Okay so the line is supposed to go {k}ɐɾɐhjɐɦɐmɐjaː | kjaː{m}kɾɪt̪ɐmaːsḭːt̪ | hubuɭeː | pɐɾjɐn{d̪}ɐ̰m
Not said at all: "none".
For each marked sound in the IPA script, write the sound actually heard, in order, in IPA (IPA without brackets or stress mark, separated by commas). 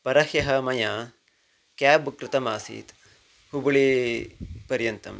p, b, t̪